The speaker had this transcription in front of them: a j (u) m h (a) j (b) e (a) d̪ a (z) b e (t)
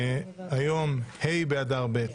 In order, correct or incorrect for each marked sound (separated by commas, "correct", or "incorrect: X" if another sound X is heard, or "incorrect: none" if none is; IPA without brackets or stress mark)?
incorrect: o, incorrect: e, correct, correct, incorrect: ʁ, correct